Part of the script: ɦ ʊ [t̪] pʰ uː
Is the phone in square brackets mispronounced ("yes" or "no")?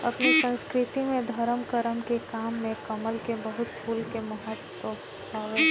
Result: no